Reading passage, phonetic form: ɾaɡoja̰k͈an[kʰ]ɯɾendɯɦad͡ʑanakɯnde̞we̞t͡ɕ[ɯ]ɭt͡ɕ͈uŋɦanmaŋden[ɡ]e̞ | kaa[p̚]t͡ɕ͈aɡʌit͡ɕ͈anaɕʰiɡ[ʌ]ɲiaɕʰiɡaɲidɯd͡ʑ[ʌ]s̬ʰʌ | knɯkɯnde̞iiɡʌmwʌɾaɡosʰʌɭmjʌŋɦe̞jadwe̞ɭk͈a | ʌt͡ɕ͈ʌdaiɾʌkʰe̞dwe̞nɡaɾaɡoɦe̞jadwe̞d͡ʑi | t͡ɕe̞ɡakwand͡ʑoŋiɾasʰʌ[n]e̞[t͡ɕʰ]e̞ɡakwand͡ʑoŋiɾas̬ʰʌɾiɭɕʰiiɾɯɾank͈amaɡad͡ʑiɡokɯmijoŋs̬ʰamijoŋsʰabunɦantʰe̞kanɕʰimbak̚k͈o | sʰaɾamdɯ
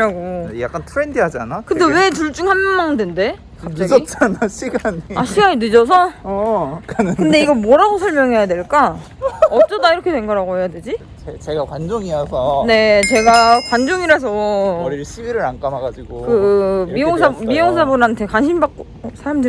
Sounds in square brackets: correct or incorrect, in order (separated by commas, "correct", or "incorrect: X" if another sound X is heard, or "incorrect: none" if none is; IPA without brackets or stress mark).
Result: incorrect: tʰ, incorrect: u, incorrect: d, correct, incorrect: a, correct, correct, incorrect: t͡ɕ